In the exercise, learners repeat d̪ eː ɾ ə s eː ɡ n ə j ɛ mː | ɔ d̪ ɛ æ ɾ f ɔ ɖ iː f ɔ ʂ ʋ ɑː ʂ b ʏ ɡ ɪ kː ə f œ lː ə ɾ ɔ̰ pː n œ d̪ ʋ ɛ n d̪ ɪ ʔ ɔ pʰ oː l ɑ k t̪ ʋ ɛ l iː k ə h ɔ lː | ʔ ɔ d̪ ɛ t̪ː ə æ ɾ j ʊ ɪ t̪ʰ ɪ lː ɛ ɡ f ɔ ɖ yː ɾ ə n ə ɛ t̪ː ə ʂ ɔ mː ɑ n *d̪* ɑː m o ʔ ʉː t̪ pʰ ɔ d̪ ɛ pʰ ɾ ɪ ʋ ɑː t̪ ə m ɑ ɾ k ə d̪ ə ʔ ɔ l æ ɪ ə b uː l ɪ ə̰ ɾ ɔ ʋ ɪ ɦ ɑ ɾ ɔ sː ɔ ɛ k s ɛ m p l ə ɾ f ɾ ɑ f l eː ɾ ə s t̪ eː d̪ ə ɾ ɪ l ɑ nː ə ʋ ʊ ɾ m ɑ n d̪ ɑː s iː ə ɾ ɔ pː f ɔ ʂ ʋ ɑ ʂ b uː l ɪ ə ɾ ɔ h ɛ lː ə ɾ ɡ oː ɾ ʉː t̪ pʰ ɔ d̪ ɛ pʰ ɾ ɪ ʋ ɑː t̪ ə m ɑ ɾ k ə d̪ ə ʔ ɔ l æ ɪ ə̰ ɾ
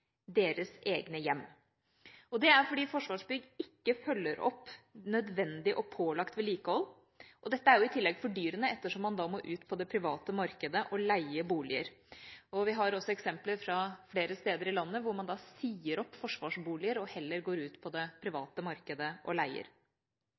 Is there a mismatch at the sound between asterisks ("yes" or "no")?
no